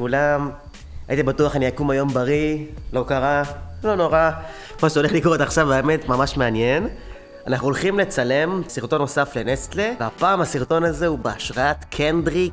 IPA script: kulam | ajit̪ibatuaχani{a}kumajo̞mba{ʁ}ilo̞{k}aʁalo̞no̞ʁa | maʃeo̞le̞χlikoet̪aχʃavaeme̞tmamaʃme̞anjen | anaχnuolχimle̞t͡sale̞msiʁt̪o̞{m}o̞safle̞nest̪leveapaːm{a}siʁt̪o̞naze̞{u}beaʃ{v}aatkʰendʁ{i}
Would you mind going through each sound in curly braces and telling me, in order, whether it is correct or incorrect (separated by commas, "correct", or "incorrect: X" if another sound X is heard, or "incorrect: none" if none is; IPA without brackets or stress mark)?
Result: correct, correct, correct, incorrect: n, correct, correct, incorrect: ʁ, correct